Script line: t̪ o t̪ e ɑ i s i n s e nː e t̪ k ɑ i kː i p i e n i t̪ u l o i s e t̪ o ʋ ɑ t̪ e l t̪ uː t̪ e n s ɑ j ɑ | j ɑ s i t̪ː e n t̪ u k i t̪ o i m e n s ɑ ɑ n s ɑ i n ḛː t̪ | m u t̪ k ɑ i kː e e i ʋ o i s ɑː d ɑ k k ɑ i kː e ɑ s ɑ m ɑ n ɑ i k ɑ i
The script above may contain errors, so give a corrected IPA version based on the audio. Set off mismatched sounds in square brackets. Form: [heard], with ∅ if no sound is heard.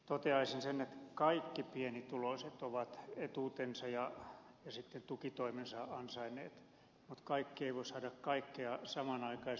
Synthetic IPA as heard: t̪ o t̪ e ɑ i s i n s e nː e t̪ k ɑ i kː i p i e n i t̪ u l o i s e t̪ o ʋ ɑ t̪ e [∅] t̪ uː t̪ e n s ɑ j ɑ | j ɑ s i t̪ː e n t̪ u k i t̪ o i m e n s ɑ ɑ n s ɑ i n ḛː t̪ | m u t̪ k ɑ i kː [i] e i ʋ o i s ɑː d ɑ k k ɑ i kː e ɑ s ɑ m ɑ n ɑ i k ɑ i

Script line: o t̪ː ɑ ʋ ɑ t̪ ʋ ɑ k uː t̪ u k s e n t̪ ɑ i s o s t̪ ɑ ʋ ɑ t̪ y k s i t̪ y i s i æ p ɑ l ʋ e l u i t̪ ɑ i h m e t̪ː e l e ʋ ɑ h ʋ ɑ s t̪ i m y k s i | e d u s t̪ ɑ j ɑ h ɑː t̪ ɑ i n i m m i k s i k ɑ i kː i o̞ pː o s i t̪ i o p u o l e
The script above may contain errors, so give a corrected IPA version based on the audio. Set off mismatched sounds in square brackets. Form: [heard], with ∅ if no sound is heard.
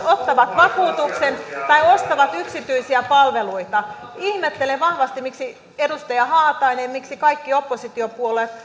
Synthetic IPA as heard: o t̪ː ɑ ʋ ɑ t̪ ʋ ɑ k uː t̪ u k s e n t̪ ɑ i [∅] o s t̪ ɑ ʋ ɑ t̪ y k s i t̪ y i s i æ p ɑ l ʋ e l u i t̪ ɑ i h m e t̪ː e l e ʋ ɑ h ʋ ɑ s t̪ i m [i] k s i | e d u s t̪ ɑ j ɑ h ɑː t̪ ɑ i n [e] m m i k s i k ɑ i kː i o̞ pː o s i t̪ i o p u o l e

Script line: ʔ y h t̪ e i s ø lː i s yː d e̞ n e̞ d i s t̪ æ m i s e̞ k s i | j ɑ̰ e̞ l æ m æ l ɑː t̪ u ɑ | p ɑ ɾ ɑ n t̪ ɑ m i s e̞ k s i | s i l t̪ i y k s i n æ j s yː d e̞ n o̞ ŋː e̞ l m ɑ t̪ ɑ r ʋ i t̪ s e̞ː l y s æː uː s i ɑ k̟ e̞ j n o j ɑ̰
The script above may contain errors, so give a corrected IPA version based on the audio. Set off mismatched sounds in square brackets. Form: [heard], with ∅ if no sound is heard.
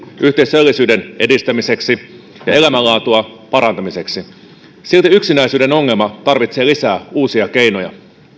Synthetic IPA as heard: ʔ y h t̪ e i s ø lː i s yː d e̞ n e̞ d i s t̪ æ m i s e̞ k s i | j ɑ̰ e̞ l æ m æ l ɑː t̪ u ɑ | p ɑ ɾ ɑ n t̪ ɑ m i s e̞ k s i | s i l t̪ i y k s i n æ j s yː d e̞ n o̞ ŋː e̞ l m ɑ t̪ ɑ r ʋ i t̪ s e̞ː l [i] s æː uː s i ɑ k̟ e̞ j n o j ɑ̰

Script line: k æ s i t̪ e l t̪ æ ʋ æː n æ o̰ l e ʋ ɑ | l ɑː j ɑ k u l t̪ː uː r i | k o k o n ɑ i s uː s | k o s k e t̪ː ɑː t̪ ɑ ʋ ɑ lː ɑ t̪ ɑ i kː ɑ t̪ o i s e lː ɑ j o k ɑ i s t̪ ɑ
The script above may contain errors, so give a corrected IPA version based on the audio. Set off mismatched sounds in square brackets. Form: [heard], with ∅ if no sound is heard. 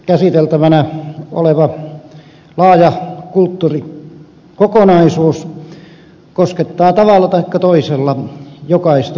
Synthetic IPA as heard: k æ s i t̪ e l t̪ æ ʋ [æ] n æ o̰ l e ʋ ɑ | l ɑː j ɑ k u l t̪ː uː r i | k o k o n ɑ i s uː s | k o s k e t̪ː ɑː t̪ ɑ ʋ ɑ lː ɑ t̪ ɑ i kː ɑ t̪ o i s e lː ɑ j o k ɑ i s t̪ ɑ

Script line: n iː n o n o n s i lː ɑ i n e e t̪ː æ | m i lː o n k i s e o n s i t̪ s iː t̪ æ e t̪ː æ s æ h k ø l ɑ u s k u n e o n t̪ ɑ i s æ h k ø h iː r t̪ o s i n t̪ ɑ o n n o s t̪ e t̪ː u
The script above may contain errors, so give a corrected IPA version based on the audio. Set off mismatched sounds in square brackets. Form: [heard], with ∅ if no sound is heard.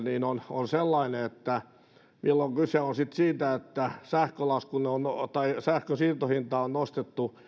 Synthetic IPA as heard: n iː n o n o n s [e] lː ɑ i n e e t̪ː æ | m i lː o [ŋ] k [y] s e o n s i t̪ s iː t̪ æ e t̪ː æ s æ h k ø l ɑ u s k u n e o n t̪ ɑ i s æ h k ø [s] iː r t̪ o [h] i n t̪ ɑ o n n o s t̪ e t̪ː u

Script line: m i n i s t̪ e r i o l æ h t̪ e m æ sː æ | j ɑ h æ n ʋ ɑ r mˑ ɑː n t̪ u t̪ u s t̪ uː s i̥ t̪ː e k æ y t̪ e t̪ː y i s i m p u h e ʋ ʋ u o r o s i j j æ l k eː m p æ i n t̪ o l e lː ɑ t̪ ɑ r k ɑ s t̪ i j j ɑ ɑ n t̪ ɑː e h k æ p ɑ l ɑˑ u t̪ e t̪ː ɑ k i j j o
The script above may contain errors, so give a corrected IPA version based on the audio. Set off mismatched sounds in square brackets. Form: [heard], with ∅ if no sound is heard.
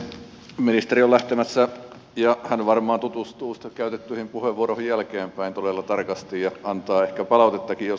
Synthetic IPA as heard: m i n i s t̪ e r i o l æ h t̪ e m æ sː æ | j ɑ h æ n ʋ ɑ r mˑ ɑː n t̪ u t̪ u s t̪ uː s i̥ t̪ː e k æ y t̪ e t̪ː y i [h] i m p u h e ʋ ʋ u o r o [h] i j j æ l k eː m p æ i n t̪ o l e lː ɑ t̪ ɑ r k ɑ s t̪ i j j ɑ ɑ n t̪ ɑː e h k æ p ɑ l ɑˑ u t̪ e t̪ː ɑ k i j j o

